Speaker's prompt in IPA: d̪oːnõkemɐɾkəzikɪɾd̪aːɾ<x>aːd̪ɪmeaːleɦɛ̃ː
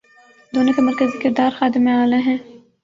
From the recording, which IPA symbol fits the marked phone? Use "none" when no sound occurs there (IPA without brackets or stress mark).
x